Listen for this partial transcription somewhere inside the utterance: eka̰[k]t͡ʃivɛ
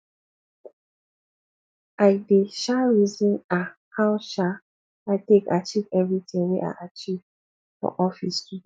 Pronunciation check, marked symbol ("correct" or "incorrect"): incorrect